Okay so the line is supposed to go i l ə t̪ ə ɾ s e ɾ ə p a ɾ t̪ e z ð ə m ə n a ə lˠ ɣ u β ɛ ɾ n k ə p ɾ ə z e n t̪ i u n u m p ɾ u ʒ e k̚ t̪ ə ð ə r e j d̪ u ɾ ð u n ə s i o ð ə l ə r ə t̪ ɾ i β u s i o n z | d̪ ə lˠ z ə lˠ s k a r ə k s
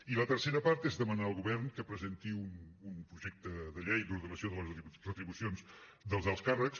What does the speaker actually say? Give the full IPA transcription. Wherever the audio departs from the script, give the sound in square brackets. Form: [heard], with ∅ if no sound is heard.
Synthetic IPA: i l ə t̪ ə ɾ s e ɾ ə p a ɾ t̪ e z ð ə m ə n a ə lˠ ɣ u β ɛ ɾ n k ə p ɾ ə z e n t̪ i u n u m p ɾ u ʒ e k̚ t̪ ə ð ə [ʎ] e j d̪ u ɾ ð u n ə s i o ð ə l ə r ə t̪ ɾ i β u s i o n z | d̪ ə lˠ z ə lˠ s k a r ə k s